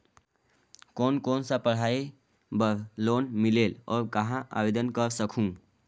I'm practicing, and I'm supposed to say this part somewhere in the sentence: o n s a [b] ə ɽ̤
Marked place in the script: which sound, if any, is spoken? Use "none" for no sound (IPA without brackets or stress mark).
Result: p